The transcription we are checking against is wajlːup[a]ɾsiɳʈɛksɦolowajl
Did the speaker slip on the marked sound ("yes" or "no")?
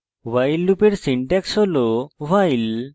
yes